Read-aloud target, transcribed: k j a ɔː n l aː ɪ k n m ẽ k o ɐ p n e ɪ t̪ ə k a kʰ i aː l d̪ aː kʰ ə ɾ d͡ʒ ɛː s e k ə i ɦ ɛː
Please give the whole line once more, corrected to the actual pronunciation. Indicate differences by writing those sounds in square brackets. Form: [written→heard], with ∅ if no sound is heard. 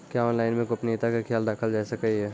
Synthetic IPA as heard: k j a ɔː n l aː ɪ [k→∅] n m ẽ k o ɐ p n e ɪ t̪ [ə→a] k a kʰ [i→j] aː l d̪ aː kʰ ə [ɾ→l] d͡ʒ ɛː s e k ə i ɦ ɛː